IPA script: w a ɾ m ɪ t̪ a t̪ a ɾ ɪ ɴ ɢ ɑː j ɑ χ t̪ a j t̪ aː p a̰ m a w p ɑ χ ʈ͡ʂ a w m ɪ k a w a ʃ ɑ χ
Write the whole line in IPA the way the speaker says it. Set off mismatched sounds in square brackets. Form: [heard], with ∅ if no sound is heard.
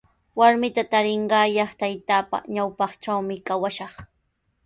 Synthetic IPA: w a ɾ m ɪ t̪ a t̪ a ɾ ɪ ɴ ɢ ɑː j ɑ χ t̪ a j t̪ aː p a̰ [ɲ] a w p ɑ χ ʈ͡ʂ a w m ɪ k a w a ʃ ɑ χ